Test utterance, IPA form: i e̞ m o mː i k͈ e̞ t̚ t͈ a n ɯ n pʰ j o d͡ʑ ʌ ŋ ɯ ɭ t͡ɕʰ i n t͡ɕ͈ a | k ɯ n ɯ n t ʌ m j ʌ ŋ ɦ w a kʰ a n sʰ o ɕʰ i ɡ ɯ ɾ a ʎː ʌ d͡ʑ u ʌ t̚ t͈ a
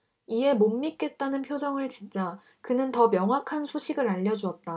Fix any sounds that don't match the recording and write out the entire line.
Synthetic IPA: i e̞ m o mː i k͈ e̞ t̚ t͈ a n ɯ n pʰ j o d͡ʑ ʌ ŋ ɯ ɭ t͡ɕ i n t͡ɕ͈ a | k ɯ n ɯ n t ʌ m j ʌ ŋ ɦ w a kʰ a n sʰ o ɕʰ i ɡ ɯ ɾ a ʎː ʌ d͡ʑ u ʌ t̚ t͈ a

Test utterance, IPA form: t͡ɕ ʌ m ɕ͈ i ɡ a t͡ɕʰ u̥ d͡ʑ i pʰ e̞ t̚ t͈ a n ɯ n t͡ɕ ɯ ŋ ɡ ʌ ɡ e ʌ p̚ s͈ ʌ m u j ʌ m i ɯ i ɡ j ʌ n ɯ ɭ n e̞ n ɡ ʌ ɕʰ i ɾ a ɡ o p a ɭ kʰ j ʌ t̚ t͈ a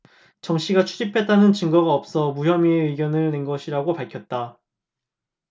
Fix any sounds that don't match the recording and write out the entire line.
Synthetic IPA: t͡ɕ ʌ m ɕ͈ i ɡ a t͡ɕʰ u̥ d͡ʑ i pʰ e̞ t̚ t͈ a n ɯ n t͡ɕ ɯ ŋ ɡ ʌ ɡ a ʌ p̚ s͈ ʌ m u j ʌ m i ɯ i ɡ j ʌ n ɯ ɭ n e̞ n ɡ ʌ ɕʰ i ɾ a ɡ o p a ɭ kʰ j ʌ t̚ t͈ a

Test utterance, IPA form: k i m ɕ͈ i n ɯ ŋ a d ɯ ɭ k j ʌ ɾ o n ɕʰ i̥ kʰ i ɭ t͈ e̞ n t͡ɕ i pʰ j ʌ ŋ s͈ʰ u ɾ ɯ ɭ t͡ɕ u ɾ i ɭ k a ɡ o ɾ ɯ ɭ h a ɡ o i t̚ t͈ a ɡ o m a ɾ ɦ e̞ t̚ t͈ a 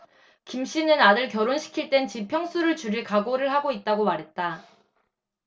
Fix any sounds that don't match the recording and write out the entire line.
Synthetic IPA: k i m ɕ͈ i n ɯ n a d ɯ ɭ k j ʌ ɾ o n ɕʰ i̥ kʰ i ɭ t͈ e̞ n t͡ɕ i pʰ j ʌ ŋ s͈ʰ u ɾ ɯ ɭ t͡ɕ u ɾ i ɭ k a ɡ o ɾ ɯ ɭ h a ɡ o i t̚ t͈ a ɡ o m a ɾ ɦ e̞ t̚ t͈ a

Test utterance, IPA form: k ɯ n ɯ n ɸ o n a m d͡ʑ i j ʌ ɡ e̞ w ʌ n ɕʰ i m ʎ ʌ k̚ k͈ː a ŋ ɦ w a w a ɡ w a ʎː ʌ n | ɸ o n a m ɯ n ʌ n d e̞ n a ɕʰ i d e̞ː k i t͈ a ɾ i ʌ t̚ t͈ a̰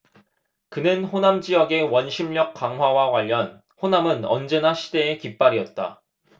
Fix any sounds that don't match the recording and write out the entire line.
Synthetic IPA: k ɯ n ɯ n ɸ o n a m d͡ʑ i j ʌ ɡ e̞ w ʌ n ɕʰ i m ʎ ʌ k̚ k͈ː a ŋ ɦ w a w a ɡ w a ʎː ʌ n | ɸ o n a m ɯ n ʌ n d͡ʑ e̞ n a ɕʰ i d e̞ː k i p͈ a ɾ i ʌ t̚ t͈ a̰

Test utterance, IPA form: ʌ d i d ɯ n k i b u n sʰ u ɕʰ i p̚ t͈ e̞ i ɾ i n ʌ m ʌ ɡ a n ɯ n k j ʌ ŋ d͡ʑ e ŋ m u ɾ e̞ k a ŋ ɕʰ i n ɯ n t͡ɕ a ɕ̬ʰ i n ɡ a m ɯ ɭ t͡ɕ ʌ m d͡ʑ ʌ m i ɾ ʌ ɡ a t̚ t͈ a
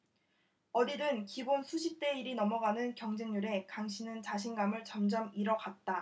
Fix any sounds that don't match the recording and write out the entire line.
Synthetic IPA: ʌ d i d ɯ n k i b o n sʰ u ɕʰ i p̚ t͈ e̞ i ɾ i n ʌ m ʌ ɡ a n ɯ n k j ʌ ŋ d͡ʑ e ŋ ɲ u ɾ e̞ k a ŋ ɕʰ i n ɯ n t͡ɕ a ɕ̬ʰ i n ɡ a m ɯ ɭ t͡ɕ ʌ m d͡ʑ ʌ m i ɾ ʌ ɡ a t̚ t͈ a

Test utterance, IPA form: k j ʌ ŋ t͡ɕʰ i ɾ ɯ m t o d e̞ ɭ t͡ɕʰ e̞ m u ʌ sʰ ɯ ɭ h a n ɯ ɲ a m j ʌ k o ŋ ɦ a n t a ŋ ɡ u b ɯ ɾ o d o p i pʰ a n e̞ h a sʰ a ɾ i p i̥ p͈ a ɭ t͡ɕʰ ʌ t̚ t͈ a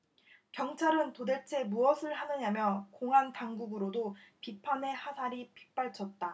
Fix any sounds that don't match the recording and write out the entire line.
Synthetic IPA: k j ʌ ŋ t͡ɕʰ a ɾ ɯ n t o d e̞ ɭ t͡ɕʰ e̞ m u ʌ sʰ ɯ ɭ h a n ɯ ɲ a m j ʌ k o ŋ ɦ a n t a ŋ ɡ u ɡ ɯ ɾ o d o p i pʰ a n e̞ h a sʰ a ɾ i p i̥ p͈ a ɭ t͡ɕʰ ʌ t̚ t͈ a

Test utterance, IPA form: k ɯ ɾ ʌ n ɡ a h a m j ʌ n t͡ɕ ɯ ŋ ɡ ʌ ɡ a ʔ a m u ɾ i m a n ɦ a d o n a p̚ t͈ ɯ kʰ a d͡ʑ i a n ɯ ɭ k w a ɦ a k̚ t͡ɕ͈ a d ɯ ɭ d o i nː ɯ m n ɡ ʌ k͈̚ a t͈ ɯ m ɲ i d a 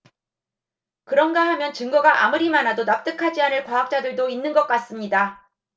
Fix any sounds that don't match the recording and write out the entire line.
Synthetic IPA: k ɯ ɾ ʌ n ɡ a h a m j ʌ n t͡ɕ ɯ ŋ ɡ ʌ ɡ a ʔ a m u ɾ i m a n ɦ a d o n a p̚ t͈ ɯ kʰ a d͡ʑ i a n ɯ ɭ k w a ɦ a k̚ t͡ɕ͈ a d ɯ ɭ d o i nː ɯ n ɡ ʌ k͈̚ a s͈ ɯ m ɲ i d a

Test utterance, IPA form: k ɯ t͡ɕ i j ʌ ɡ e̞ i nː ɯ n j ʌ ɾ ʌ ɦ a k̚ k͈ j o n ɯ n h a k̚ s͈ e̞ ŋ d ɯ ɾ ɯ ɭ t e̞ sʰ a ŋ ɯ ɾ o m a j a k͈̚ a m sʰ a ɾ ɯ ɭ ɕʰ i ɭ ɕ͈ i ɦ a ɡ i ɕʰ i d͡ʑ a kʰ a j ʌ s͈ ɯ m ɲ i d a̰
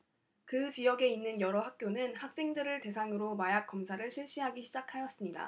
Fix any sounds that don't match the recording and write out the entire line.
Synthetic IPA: k ɯ t͡ɕ i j ʌ ɡ e̞ i nː ɯ n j ʌ ɾ ʌ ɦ a k̚ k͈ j o n ɯ n h a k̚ s͈ e̞ ŋ d ɯ ɾ ɯ ɭ t e̞ sʰ a ŋ ɯ ɾ o m a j a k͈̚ ʌ m sʰ a ɾ ɯ ɭ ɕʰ i ɭ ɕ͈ i ɦ a ɡ i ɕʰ i d͡ʑ a kʰ a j ʌ s͈ ɯ m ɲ i d a̰

